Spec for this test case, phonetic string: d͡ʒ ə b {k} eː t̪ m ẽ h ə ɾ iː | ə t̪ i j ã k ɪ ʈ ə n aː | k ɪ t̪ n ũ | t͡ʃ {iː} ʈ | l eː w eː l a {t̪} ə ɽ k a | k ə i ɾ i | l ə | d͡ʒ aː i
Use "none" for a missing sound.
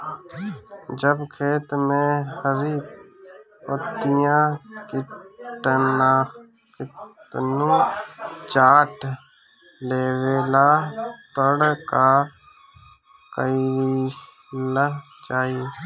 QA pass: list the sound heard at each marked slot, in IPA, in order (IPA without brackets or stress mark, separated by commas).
kʰ, aː, t̪